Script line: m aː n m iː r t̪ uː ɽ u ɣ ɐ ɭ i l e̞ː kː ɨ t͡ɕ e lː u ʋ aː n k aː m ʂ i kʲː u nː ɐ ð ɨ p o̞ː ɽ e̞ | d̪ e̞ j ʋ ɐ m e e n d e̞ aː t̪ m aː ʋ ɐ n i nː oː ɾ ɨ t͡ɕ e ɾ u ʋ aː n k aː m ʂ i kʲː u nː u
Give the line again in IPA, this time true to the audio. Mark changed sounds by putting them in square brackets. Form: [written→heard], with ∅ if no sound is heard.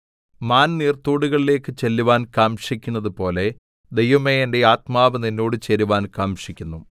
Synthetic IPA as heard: m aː n [m→n] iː r t̪ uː ɽ u ɣ ɐ ɭ i l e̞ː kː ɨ t͡ɕ e lː u ʋ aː n k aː m ʂ i kʲː u nː ɐ ð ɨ p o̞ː [ɽ→l] e̞ | d̪ e̞ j ʋ ɐ m e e n d e̞ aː t̪ m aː ʋ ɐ n i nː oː [ɾ→ɽ] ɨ t͡ɕ e ɾ u ʋ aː n k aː m ʂ i kʲː u nː u